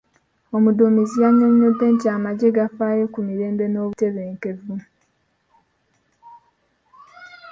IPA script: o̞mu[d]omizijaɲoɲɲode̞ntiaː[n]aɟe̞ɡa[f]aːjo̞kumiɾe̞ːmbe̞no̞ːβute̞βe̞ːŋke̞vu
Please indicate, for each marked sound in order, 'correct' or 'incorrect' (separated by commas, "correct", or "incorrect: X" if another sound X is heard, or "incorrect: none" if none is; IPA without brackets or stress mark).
correct, incorrect: m, correct